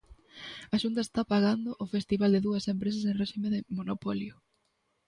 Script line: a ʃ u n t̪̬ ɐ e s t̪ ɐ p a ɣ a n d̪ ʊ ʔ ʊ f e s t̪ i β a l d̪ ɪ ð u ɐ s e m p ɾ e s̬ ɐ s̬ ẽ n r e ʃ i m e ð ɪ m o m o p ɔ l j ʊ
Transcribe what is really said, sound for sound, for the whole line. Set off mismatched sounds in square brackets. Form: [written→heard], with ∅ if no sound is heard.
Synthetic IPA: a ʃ u n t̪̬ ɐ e s t̪ [ɐ→a] p a ɣ a n d̪ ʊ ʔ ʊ f e s t̪ i β a l d̪ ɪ ð u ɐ s e m p ɾ e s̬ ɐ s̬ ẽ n r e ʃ i m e ð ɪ m o [m→n] o p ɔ l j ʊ